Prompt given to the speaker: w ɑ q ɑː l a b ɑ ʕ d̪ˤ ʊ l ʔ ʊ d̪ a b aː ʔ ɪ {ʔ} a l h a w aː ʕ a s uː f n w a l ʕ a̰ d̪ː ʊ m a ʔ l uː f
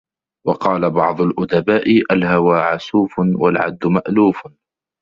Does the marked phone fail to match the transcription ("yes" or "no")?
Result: no